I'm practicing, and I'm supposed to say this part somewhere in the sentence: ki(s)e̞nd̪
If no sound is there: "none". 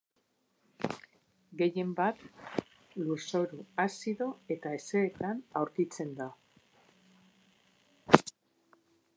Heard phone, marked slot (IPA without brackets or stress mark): t͡s